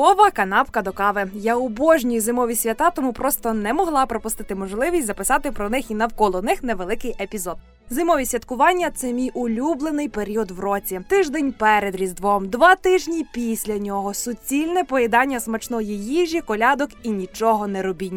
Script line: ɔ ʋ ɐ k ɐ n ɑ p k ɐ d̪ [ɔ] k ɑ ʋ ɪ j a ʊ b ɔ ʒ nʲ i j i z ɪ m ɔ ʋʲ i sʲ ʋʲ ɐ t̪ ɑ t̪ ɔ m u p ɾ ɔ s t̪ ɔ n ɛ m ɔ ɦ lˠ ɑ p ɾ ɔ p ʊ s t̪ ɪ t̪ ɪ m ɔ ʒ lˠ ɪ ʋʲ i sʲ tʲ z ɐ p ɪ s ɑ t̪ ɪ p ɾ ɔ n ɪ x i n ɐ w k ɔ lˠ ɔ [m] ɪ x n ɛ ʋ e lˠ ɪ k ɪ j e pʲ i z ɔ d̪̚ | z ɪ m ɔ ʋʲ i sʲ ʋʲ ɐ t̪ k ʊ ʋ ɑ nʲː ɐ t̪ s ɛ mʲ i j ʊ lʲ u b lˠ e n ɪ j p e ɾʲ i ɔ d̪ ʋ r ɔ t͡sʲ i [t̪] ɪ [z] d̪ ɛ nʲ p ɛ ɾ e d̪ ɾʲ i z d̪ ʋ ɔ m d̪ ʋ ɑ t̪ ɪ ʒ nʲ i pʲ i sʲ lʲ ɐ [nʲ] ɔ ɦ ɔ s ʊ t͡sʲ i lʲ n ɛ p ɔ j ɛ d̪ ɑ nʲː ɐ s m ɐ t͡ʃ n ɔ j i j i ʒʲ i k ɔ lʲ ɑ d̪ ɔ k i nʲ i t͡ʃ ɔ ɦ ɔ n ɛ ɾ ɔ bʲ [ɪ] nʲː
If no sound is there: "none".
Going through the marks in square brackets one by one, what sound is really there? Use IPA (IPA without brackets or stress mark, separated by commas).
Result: ɔ, n, t̪, ʒ, nʲ, i